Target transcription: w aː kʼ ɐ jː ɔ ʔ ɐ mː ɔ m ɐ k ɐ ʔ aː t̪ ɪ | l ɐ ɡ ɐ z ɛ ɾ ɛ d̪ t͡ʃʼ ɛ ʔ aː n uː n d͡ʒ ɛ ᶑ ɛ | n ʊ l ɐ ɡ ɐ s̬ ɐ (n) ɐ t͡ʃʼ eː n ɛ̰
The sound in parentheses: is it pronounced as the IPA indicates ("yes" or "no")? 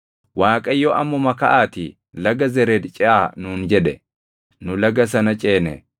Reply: yes